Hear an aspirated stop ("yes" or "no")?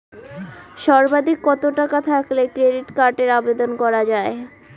yes